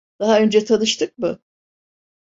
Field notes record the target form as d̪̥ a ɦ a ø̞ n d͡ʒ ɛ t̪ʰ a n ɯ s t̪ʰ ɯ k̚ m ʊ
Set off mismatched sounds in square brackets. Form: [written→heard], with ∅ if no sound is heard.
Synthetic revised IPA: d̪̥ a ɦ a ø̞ n d͡ʒ ɛ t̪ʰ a n ɯ [s→ʃ] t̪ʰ ɯ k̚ m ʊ